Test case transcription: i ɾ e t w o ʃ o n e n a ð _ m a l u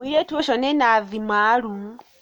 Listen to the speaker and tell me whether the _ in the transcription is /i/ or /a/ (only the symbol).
i